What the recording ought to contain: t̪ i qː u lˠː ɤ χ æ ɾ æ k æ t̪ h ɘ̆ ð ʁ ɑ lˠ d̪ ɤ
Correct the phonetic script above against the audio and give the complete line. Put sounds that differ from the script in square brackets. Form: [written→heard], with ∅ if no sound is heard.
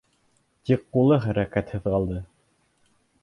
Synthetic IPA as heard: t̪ i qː u [lˠː→lˠ] ɤ χ æ ɾ æ k æ t̪ h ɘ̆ ð ʁ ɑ lˠ d̪ ɤ